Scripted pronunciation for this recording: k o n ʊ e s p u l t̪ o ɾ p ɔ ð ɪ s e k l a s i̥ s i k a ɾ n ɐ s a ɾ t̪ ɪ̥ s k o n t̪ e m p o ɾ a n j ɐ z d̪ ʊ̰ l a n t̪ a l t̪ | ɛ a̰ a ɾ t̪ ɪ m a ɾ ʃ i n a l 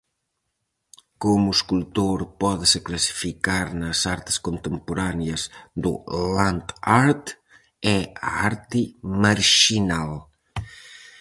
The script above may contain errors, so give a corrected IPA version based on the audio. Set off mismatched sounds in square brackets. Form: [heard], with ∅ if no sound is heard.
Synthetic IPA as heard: k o [m] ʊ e s [k] u l t̪ o ɾ p ɔ ð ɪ s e k l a s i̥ [f] i k a ɾ n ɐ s a ɾ t̪ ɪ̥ s k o n t̪ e m p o ɾ a n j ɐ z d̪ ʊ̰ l a n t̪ a [ɾ] t̪ | ɛ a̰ a ɾ t̪ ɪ m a ɾ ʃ i n a l